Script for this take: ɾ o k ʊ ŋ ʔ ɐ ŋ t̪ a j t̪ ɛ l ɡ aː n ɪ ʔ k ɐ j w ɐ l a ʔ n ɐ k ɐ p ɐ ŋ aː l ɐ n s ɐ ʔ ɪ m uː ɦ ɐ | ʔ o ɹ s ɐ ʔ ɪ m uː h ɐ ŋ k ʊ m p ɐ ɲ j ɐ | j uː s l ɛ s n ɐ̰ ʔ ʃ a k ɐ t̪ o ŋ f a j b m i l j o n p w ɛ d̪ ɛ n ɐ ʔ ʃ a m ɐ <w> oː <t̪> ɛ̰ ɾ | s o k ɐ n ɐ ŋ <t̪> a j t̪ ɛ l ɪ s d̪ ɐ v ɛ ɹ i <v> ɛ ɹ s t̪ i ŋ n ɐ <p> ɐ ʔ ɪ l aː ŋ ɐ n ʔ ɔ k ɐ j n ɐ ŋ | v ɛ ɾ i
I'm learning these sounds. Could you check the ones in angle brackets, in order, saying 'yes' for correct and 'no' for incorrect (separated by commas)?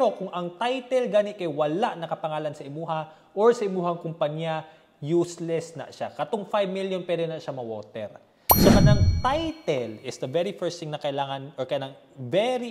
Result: yes, yes, yes, no, no